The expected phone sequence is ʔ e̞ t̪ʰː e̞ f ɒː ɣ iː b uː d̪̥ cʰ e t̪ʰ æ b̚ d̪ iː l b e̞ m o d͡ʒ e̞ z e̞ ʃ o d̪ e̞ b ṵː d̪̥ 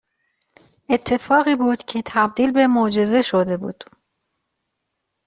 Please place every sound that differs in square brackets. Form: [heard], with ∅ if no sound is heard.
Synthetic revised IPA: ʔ e̞ t̪ʰː e̞ f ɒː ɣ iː b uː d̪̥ cʰ e t̪ʰ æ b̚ d̪ iː l b e̞ m o d͡ʒ e̞ z e̞ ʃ o d̪ e̞ b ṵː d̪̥